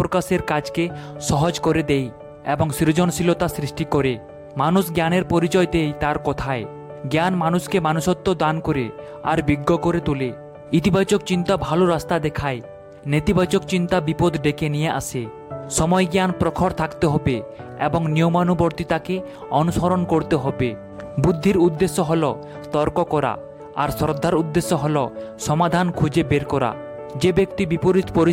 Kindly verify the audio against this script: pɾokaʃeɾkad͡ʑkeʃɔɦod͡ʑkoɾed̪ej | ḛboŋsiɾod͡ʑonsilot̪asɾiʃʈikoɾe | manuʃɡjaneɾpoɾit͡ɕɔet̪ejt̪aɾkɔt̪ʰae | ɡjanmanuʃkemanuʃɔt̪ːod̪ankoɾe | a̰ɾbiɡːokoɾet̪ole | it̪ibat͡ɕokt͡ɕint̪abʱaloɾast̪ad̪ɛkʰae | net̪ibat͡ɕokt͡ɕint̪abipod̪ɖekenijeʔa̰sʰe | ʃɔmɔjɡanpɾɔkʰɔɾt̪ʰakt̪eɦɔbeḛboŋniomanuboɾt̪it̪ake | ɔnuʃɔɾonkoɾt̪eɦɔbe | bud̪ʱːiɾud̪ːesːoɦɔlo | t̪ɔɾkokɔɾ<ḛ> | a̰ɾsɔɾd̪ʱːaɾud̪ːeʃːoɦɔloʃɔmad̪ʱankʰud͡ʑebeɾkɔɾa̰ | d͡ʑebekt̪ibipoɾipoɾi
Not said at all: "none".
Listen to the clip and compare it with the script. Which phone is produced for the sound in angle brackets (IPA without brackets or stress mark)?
a̰